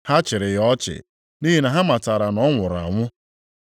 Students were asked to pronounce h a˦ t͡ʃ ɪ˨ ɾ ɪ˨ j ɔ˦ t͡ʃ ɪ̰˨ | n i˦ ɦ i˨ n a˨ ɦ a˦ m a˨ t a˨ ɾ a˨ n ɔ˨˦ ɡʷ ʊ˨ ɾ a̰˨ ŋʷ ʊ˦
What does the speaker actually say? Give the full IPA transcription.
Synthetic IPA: h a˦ t͡ʃ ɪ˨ ɾ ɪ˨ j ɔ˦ t͡ʃ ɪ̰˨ | n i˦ ɦ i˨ n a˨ ɦ a˦ m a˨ t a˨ ɾ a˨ n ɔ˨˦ ŋʷ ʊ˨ ɾ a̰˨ ŋʷ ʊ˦